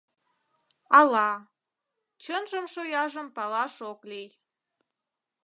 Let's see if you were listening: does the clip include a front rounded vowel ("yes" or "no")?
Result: no